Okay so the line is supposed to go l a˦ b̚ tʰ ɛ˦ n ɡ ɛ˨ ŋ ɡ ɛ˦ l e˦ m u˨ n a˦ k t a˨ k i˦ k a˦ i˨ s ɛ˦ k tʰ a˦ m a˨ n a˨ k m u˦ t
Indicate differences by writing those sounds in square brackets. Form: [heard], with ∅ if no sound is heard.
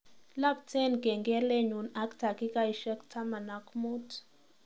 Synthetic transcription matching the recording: l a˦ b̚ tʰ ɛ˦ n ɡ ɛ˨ ŋ ɡ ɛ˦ l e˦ [ɲ] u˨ n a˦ k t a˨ k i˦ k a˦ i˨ [ʃ] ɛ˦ k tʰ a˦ m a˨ n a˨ k m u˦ t